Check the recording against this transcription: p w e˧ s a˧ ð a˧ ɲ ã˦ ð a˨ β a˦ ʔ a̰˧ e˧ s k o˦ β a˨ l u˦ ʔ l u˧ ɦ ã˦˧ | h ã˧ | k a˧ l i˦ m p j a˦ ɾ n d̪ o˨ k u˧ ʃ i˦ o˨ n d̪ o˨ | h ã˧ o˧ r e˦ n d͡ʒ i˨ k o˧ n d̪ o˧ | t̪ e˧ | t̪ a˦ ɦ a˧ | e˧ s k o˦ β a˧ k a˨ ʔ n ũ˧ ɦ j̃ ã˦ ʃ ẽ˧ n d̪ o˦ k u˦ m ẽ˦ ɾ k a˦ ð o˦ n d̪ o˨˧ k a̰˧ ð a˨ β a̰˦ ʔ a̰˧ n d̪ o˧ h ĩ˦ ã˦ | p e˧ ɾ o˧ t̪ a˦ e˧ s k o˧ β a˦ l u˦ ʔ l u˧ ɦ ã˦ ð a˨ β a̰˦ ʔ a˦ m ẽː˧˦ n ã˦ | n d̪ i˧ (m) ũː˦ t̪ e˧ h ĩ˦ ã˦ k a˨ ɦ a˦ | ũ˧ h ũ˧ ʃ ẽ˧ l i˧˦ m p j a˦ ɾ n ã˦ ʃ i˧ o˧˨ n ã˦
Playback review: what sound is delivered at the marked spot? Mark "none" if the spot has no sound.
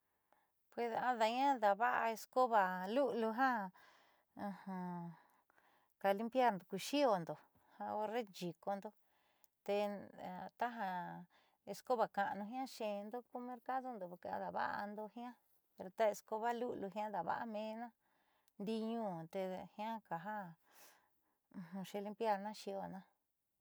ɲ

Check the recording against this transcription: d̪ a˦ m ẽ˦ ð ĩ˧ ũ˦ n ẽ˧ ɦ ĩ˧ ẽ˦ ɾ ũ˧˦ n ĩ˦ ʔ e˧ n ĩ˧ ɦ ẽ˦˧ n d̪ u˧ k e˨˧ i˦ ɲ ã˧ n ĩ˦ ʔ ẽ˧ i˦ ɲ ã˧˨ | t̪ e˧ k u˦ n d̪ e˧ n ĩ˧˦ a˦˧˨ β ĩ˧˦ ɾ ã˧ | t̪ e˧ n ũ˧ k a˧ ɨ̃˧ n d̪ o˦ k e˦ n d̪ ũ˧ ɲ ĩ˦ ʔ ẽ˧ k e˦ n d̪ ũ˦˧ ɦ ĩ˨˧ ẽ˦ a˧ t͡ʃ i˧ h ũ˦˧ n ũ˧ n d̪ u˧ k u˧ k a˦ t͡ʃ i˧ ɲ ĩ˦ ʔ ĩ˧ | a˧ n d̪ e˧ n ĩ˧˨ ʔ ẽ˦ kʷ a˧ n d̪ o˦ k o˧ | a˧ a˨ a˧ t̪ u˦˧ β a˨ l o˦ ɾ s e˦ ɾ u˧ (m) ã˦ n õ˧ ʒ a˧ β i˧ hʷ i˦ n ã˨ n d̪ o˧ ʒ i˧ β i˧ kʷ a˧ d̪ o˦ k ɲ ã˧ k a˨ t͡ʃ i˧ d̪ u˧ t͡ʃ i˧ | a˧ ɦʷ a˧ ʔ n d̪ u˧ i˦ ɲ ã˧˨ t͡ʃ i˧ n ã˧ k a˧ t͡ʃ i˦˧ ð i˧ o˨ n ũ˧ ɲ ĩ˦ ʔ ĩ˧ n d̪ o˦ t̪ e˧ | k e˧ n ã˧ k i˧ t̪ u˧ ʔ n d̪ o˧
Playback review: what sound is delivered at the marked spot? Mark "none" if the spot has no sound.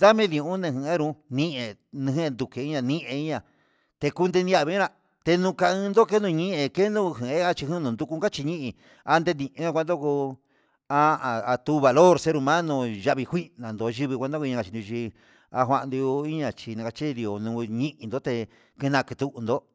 m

